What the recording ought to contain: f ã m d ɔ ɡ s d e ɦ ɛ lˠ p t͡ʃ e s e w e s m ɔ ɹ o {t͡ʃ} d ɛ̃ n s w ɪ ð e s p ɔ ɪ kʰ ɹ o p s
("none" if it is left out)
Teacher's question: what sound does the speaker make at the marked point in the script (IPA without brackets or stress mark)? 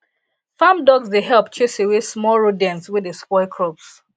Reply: none